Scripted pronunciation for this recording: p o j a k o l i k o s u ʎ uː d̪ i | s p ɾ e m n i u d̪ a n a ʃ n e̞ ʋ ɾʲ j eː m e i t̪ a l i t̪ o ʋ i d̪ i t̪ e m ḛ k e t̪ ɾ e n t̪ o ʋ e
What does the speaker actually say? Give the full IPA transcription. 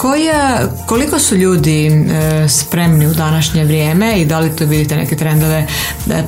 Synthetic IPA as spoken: k o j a k o l i k o s u ʎ uː d̪ i | s p ɾ e m n i u d̪ a n a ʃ ɲ e̞ ʋ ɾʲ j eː m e i d̪ a l i t̪ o ʋ i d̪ i t̪ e n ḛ k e t̪ ɾ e n d̪ o ʋ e